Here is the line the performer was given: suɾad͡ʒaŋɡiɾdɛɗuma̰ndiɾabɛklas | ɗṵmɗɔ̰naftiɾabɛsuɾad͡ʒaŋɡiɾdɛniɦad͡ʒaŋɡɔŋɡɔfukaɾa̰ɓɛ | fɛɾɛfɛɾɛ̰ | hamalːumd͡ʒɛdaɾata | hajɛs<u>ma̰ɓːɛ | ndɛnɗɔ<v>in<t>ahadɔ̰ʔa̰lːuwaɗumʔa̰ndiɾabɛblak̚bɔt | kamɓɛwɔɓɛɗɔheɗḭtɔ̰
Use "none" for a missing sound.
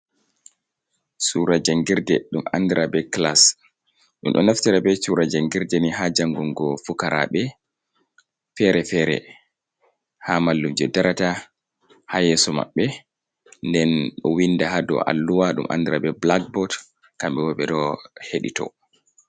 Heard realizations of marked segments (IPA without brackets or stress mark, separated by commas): ɔ, w, d